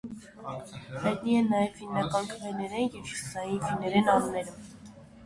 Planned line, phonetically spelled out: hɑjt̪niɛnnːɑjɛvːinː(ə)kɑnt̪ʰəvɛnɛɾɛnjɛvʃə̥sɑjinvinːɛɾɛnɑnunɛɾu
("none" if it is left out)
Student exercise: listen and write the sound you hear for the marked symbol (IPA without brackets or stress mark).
ɑ